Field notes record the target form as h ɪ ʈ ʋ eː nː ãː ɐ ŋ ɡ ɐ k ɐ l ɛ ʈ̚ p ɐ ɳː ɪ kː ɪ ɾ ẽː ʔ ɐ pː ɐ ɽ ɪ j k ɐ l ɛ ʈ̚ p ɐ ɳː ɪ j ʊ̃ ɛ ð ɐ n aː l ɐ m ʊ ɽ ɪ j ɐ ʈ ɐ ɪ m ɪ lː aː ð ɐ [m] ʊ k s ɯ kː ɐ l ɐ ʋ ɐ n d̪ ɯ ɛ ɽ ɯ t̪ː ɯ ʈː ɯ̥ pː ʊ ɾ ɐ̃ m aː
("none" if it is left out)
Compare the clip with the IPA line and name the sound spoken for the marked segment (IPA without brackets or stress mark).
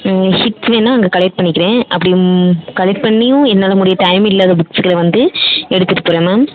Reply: b